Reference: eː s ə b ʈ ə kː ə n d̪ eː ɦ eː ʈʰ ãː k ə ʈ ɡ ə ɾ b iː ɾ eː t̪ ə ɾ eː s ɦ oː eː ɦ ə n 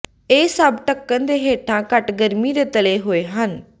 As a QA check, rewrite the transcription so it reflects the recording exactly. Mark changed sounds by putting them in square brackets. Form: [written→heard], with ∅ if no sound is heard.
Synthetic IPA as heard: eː s ə b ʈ ə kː ə n d̪ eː ɦ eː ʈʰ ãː k ə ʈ ɡ ə ɾ [b→m] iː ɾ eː t̪ ə [ɾ→l] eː [s→∅] ɦ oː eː ɦ ə n